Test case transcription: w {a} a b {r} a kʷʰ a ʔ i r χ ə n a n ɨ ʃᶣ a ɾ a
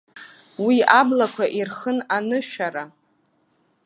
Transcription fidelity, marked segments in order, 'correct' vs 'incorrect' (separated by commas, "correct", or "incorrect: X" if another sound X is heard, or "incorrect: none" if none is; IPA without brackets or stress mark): incorrect: i, incorrect: l